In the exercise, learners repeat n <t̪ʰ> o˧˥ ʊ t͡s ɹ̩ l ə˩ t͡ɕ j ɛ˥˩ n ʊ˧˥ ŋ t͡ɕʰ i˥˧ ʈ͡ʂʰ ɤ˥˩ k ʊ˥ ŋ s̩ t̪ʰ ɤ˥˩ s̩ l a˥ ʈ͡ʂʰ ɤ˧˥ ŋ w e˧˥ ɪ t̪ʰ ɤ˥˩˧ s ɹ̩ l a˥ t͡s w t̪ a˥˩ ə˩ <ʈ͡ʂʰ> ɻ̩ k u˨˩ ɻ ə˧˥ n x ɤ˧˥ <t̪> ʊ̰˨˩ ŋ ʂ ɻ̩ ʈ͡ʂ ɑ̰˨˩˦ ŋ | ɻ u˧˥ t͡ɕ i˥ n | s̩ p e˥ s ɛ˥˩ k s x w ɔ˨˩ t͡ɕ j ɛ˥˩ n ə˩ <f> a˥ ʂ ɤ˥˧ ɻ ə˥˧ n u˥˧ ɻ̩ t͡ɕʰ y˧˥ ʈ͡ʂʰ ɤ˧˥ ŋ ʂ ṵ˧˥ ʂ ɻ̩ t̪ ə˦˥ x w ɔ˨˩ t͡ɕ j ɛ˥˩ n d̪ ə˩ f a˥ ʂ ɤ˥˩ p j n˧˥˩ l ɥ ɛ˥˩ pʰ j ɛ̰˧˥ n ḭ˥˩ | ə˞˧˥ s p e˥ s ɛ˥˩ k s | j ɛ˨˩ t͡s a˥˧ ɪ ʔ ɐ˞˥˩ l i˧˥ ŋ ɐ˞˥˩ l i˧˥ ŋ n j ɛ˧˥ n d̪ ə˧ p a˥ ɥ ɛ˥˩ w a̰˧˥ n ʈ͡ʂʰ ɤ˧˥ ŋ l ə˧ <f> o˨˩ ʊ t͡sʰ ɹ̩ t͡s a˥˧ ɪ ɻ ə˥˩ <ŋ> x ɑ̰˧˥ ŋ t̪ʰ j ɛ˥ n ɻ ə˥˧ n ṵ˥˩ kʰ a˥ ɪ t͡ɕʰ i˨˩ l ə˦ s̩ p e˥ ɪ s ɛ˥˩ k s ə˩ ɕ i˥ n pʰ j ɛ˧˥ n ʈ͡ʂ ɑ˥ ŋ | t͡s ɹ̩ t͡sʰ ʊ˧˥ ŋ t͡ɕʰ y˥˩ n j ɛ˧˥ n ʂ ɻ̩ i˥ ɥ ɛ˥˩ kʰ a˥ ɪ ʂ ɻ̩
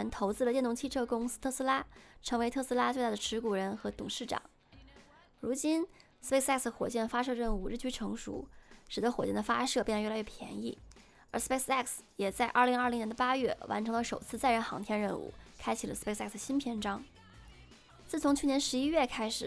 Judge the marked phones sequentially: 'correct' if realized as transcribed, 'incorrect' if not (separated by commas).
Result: correct, correct, correct, correct, incorrect, incorrect